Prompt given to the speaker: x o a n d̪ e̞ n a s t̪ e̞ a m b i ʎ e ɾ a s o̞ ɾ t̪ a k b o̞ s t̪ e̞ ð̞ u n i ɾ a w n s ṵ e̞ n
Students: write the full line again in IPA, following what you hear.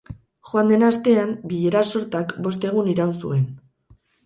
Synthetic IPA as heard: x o a n d̪ e̞ n a s t̪ e̞ a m b i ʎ e ɾ a s o̞ ɾ t̪ a k b o̞ s t̪ e̞ ɣ̞ u n i ɾ a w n s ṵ e̞ n